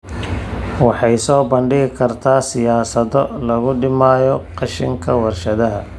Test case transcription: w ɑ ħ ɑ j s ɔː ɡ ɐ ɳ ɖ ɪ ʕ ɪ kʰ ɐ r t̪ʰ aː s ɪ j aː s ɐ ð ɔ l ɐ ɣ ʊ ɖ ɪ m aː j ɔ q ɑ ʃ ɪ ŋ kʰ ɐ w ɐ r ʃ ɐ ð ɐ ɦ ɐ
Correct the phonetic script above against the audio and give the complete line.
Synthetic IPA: w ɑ ħ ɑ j s ɔː b ɐ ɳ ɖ ɪ ɣ ɪ kʰ ɐ r t̪ʰ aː s ɪ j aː s ɐ ð ɔ l ɐ ɣ ʊ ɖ ɪ m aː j ɔ q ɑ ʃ ɪ ŋ kʰ ɐ w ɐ r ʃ ɐ ð ɐ ɦ ɐ